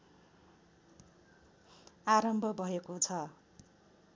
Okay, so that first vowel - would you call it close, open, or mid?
open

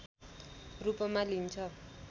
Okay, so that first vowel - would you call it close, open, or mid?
close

